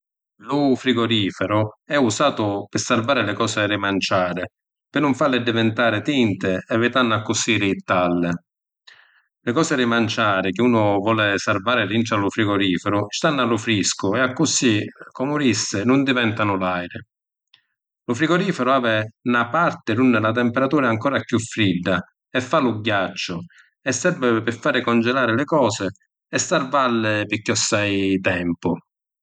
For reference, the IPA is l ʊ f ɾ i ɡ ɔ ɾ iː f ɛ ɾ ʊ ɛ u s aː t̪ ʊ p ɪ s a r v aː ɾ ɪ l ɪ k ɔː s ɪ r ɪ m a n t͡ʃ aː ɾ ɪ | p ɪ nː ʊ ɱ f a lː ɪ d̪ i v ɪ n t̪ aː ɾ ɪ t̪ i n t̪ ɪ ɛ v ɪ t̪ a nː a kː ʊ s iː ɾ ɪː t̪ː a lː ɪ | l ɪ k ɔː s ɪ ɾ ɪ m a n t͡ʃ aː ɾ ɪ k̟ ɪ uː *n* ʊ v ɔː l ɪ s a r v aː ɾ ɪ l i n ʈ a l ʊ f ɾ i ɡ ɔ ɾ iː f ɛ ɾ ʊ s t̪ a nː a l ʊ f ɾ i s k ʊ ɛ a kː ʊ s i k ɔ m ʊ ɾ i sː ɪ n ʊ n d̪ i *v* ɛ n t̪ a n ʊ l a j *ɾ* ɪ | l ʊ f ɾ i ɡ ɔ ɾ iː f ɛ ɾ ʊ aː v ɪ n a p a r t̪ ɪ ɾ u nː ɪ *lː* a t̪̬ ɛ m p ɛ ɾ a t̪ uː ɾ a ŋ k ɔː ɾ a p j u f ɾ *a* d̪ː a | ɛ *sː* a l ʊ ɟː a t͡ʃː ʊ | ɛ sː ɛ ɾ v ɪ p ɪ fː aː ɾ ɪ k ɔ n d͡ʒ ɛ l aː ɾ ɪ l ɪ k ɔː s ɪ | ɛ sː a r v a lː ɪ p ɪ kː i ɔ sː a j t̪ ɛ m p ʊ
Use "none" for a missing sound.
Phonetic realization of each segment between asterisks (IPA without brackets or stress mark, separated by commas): n, v, ɾ, l, i, fː